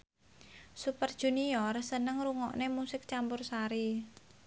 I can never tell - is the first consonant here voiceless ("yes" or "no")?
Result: yes